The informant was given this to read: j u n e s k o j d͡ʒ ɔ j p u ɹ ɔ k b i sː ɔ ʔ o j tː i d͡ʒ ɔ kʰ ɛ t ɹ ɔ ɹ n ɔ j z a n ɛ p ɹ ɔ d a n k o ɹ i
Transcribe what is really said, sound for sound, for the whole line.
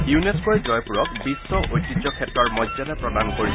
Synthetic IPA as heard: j u n e s k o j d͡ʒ ɔ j p u ɹ ɔ k b i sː ɔ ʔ o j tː i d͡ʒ ɔ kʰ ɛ t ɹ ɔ ɹ m ɔ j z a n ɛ p ɹ ɔ d a n k o ɹ i